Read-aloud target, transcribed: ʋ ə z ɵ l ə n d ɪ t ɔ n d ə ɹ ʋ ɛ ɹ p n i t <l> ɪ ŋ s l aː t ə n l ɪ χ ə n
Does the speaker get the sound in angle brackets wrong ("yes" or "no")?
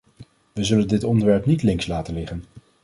no